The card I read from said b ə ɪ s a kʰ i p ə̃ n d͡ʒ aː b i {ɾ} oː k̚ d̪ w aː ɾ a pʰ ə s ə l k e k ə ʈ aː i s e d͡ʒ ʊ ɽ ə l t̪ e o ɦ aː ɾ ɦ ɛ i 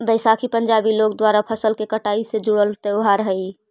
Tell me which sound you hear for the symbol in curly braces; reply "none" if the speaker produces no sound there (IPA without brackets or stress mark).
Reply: l